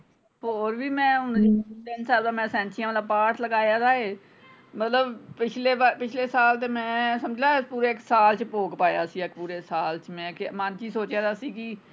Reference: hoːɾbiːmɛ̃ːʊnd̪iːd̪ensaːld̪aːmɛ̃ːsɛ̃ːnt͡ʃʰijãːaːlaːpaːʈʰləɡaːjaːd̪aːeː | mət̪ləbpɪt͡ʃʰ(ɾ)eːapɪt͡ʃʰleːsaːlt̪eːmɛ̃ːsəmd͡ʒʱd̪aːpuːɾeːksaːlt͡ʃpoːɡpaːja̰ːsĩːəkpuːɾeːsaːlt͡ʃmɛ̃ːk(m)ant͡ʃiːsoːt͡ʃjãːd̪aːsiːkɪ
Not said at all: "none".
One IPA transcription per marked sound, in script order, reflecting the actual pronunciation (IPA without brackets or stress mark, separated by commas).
l, m